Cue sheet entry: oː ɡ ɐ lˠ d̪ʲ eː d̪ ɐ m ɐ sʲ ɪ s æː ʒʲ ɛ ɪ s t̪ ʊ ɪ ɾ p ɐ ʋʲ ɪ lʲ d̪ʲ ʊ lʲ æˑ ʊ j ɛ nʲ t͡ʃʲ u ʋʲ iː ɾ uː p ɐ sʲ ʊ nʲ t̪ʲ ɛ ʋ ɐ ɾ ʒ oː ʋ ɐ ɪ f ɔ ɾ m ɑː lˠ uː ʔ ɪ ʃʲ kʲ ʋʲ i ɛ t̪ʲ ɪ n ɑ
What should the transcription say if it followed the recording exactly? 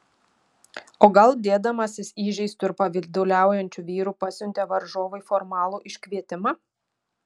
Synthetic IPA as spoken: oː ɡ ɐ lˠ d̪ʲ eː d̪ ɐ m ɐ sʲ ɪ s iː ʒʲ ɛ ɪ s t̪ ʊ ɪ ɾ p ɐ ʋʲ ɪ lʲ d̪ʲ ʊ lʲ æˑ ʊ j ɛ nʲ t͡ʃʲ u ʋʲ iː ɾ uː p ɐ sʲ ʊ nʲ t̪ʲ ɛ ʋ ɐ ɾ ʒ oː ʋ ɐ ɪ f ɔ ɾ m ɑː lˠ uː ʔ ɪ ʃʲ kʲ ʋʲ i ɛ t̪ʲ ɪ m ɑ